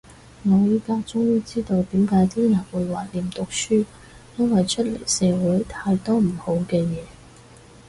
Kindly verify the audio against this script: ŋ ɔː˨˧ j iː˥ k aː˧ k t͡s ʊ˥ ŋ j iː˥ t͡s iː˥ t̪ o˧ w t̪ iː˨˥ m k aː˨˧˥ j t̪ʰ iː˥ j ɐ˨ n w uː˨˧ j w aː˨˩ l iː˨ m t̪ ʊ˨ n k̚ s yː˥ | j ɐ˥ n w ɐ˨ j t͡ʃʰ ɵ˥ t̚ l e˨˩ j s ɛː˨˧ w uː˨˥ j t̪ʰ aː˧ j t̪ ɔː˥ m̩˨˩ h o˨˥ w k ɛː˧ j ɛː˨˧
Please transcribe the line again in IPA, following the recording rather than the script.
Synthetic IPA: ŋ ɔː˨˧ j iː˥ k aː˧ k t͡s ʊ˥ ŋ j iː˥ t͡s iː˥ t̪ o˧ w t̪ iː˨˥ m k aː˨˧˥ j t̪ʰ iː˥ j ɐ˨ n w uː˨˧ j w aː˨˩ l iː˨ m t̪ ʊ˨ k̚ s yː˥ | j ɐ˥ n w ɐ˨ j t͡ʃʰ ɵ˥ t̚ l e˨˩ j s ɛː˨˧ w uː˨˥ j t̪ʰ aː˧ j t̪ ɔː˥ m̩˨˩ h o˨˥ w k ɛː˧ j ɛː˨˧